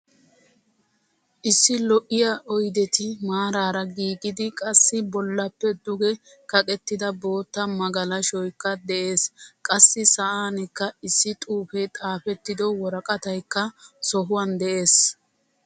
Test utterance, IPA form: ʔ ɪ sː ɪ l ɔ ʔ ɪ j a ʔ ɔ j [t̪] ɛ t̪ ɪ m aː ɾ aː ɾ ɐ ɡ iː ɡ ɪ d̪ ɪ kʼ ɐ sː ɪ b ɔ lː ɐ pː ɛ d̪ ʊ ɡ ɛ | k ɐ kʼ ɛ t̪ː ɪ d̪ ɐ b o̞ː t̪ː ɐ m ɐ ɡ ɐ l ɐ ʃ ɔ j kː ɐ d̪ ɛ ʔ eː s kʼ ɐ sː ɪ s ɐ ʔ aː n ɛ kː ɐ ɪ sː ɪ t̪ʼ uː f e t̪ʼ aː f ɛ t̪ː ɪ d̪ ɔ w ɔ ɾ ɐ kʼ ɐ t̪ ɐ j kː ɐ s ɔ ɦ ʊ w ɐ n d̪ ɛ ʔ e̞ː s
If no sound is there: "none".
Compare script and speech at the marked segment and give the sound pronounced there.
d̪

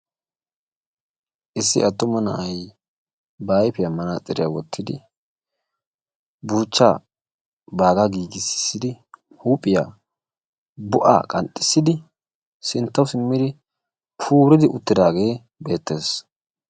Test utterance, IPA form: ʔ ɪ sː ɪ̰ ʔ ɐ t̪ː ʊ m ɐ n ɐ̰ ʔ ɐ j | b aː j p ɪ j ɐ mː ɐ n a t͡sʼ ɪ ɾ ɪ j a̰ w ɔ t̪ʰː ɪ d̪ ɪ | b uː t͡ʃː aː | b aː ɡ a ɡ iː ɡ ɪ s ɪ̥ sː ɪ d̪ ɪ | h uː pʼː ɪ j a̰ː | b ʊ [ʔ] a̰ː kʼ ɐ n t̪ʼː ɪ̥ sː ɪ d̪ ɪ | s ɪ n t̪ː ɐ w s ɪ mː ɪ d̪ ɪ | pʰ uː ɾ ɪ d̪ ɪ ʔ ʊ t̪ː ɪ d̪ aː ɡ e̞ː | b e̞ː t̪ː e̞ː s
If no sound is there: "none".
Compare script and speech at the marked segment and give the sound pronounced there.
ʔ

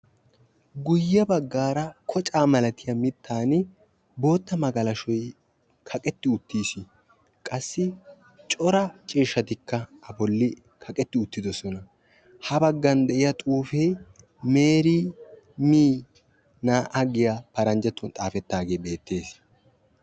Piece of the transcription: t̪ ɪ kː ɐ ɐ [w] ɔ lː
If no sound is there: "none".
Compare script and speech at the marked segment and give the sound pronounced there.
b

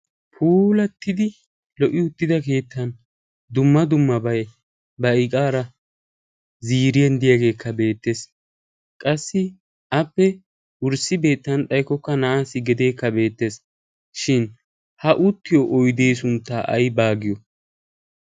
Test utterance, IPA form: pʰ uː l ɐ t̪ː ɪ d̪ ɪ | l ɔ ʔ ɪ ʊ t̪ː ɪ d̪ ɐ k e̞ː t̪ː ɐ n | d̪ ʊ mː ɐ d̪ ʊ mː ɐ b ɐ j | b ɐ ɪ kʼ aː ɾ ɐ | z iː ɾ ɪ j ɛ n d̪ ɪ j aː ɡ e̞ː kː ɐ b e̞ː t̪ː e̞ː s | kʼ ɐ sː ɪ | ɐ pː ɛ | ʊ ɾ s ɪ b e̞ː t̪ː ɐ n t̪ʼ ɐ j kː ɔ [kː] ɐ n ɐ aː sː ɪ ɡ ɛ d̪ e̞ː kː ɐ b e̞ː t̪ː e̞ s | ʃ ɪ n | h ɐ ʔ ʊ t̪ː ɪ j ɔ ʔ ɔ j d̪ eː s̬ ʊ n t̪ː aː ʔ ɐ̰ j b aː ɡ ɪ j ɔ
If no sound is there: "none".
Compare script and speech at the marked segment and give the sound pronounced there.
kː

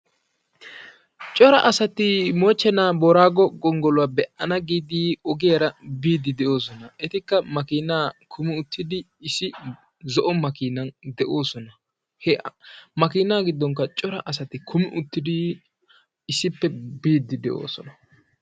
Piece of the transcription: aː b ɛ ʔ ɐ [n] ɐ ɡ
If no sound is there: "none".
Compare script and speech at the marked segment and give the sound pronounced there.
n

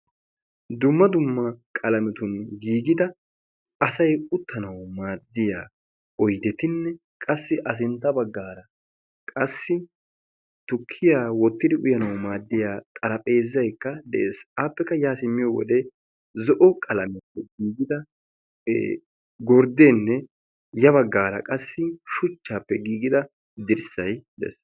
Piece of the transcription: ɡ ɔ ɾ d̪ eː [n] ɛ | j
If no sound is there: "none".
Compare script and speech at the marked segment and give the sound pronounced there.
nː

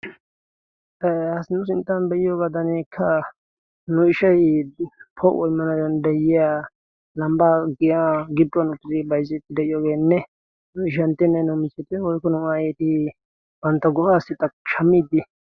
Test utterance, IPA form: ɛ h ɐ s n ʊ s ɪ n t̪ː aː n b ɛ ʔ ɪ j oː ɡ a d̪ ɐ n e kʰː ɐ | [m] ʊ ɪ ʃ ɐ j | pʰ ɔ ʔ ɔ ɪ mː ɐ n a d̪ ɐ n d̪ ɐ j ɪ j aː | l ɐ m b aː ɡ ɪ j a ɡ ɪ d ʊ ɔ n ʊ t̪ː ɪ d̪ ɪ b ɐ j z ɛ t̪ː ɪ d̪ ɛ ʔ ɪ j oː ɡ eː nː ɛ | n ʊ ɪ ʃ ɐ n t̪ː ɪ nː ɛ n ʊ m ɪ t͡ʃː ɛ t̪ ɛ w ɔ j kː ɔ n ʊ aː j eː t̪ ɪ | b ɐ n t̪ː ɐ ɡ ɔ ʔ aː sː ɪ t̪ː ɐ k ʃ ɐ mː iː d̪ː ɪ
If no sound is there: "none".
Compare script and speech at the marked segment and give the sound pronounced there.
n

